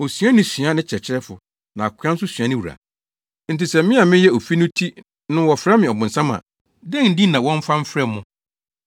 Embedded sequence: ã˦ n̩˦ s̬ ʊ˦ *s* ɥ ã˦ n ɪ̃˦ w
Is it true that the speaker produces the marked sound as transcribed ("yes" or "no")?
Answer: yes